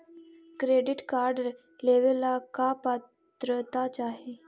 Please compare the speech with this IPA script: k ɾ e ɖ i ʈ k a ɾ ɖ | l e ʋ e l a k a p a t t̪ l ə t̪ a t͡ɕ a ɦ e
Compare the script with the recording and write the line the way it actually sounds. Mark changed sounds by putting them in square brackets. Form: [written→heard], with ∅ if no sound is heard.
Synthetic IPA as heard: k ɾ e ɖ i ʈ k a ɾ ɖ | l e ʋ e l a k a p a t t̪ [l→ɾ] ə t̪ a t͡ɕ a ɦ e